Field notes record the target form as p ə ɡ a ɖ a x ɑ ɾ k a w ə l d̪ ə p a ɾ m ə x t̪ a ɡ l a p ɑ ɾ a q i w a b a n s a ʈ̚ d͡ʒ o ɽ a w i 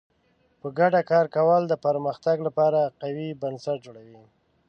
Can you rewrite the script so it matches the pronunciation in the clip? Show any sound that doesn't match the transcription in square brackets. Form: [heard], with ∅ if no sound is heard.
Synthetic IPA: p ə ɡ a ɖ a [k] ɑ ɾ k a w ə l d̪ ə p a ɾ m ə x t̪ a ɡ l a p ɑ ɾ a q [a] w [i] b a n s a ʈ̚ d͡ʒ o ɽ a w i